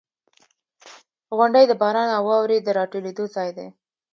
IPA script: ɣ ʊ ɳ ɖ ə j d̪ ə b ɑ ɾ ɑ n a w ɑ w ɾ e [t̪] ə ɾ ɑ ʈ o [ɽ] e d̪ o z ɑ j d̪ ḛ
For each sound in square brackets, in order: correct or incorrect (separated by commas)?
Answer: incorrect, incorrect